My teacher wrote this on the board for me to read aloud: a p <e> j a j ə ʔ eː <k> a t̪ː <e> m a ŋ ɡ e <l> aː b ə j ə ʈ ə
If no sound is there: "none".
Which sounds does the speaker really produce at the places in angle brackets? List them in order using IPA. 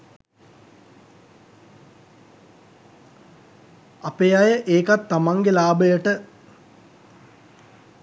e, k, a, l

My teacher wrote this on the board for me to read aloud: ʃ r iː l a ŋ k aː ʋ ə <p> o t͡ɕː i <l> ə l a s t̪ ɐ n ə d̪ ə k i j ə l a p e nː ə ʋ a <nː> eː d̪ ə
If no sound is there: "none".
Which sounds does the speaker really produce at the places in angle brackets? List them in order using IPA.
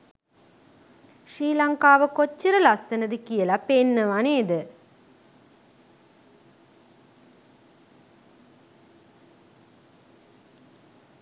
k, ɾ, n

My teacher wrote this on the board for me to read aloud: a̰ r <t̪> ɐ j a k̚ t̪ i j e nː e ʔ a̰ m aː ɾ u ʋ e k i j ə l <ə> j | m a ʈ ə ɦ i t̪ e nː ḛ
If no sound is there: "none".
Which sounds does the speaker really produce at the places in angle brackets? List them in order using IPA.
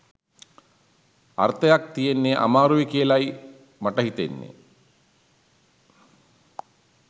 t̪, a

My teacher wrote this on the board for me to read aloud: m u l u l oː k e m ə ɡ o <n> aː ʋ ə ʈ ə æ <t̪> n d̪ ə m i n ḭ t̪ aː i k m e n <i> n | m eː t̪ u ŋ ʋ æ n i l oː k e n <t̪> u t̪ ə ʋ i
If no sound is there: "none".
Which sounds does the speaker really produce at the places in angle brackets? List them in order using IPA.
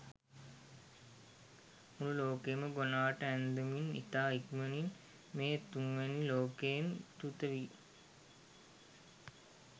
n, none, i, t̪

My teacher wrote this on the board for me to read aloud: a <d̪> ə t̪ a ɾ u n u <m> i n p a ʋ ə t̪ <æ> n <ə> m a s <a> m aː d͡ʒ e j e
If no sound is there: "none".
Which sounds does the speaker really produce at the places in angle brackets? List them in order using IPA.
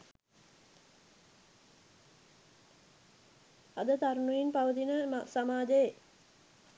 d̪, none, i, ə, a

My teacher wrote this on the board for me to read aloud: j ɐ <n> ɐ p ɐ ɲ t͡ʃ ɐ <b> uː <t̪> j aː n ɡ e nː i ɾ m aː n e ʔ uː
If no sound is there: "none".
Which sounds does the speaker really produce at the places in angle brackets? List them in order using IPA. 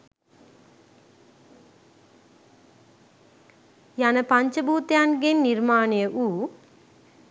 n, b, t̪

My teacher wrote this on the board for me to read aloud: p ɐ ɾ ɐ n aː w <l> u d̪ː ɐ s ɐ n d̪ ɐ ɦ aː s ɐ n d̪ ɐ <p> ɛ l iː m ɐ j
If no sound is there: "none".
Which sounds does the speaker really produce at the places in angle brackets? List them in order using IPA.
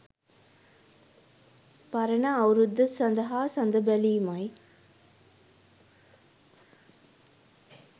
ɾ, b

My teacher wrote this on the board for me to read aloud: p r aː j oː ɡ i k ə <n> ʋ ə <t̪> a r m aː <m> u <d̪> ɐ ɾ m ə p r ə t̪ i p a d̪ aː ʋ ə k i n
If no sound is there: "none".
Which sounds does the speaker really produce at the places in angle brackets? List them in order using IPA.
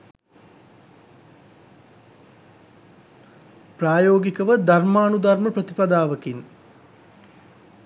none, d̪, n, d̪

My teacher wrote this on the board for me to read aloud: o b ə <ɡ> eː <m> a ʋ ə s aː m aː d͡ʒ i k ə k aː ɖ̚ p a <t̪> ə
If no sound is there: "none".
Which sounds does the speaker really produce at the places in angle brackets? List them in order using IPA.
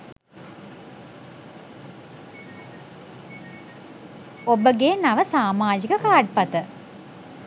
ɡ, n, t̪

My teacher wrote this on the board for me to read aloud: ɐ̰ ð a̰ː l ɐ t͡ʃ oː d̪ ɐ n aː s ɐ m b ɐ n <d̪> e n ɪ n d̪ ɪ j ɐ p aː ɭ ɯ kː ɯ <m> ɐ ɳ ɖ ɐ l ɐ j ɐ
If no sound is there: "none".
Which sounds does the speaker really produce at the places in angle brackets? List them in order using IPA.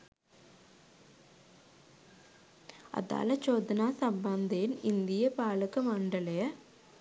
d̪, m

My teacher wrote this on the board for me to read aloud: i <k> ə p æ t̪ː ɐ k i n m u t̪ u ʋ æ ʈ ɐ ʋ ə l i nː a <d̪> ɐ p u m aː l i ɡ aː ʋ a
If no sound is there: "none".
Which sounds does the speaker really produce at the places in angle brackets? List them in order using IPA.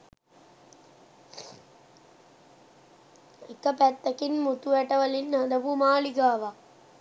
k, d̪

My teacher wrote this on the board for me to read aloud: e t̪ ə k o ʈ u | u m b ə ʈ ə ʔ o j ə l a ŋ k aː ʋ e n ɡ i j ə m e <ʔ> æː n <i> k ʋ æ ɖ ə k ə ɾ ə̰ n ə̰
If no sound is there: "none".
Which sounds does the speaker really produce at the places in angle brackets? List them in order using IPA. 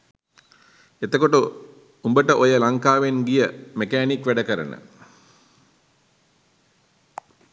k, i

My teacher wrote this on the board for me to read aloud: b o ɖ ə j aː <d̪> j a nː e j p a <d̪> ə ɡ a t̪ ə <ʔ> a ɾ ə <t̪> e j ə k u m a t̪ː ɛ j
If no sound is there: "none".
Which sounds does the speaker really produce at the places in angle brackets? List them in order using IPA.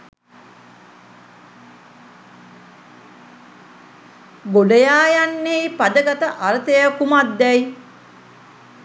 none, d̪, ʔ, t̪

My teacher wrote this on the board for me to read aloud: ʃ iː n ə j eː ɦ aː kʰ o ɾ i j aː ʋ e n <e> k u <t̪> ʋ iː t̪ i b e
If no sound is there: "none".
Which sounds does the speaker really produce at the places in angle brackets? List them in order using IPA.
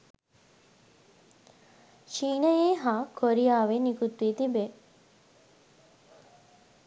i, t̪

